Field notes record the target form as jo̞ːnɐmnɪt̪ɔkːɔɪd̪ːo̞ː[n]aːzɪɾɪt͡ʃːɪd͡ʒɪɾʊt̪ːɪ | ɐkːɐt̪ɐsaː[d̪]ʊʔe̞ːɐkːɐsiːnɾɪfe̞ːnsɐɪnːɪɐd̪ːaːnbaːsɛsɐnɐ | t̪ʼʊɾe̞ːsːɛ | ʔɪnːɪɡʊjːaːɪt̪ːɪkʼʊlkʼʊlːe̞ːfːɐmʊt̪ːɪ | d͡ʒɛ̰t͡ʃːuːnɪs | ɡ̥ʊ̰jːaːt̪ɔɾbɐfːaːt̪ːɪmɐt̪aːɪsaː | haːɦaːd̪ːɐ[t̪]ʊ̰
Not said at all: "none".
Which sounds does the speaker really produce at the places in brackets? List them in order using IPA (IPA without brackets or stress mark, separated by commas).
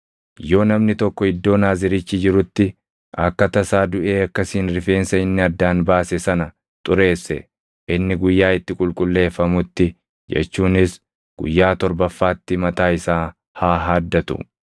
n, d̪, t̪